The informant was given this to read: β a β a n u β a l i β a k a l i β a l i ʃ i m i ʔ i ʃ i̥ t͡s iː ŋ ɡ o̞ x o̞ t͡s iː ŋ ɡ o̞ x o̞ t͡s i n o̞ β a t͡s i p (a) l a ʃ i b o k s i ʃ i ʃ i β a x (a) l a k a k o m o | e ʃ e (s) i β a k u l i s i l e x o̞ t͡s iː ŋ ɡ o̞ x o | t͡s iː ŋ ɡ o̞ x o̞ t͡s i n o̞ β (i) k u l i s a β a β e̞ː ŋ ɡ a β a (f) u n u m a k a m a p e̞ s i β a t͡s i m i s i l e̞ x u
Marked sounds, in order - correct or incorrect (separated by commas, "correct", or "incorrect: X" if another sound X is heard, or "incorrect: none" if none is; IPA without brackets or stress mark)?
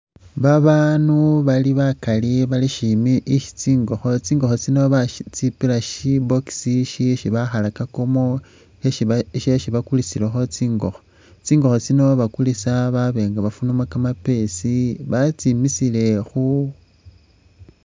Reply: incorrect: i, correct, incorrect: ʃ, incorrect: a, correct